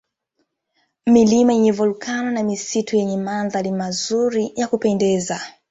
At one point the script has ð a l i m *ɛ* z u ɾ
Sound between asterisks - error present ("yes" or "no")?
yes